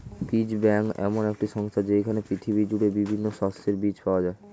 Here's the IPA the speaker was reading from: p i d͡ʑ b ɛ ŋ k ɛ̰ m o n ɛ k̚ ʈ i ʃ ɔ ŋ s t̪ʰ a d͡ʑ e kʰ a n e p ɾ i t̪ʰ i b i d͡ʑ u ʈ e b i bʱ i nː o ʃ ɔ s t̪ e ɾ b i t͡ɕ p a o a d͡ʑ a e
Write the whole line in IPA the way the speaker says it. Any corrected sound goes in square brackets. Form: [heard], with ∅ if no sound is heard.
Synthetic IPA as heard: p i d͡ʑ b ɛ ŋ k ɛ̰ m o n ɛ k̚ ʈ i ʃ ɔ ŋ s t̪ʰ a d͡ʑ e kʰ a n e p ɾ i t̪ʰ i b i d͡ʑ u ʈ e b i bʱ i nː o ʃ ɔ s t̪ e ɾ b i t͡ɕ p a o a d͡ʑ a e